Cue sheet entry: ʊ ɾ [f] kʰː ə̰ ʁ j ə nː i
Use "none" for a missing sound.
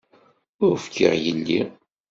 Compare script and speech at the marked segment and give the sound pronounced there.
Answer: f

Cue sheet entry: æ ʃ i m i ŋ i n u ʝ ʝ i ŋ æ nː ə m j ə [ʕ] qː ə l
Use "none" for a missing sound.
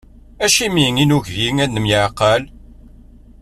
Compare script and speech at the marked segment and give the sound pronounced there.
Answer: ʕ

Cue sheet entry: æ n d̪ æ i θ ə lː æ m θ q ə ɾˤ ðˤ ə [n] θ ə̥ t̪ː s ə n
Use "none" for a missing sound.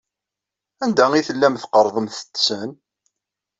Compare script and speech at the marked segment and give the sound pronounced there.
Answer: m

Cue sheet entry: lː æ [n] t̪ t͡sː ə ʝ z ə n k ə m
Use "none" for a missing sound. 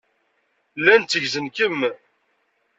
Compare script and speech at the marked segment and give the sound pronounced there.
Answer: n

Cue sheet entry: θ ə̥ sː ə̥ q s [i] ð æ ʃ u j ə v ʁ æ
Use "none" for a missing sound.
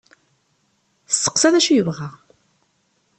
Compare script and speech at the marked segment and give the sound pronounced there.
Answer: æ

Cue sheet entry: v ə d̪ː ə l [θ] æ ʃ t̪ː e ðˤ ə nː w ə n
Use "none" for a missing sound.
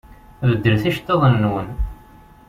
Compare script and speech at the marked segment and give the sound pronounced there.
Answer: θ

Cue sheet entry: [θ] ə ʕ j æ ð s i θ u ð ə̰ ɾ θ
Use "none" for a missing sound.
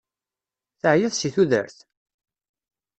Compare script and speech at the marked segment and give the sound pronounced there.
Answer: θ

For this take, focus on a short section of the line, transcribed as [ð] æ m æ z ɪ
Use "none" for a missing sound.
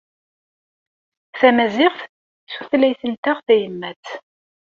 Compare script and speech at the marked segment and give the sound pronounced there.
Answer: θ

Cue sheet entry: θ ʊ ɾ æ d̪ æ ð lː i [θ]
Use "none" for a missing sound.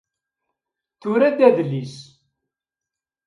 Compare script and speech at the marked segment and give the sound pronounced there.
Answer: s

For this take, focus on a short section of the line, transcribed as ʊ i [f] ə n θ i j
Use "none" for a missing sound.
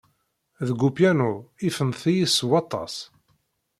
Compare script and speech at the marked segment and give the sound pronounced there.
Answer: f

